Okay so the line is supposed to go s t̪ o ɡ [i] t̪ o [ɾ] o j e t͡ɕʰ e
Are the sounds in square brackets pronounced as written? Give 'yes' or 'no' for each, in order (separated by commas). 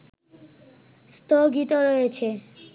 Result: yes, yes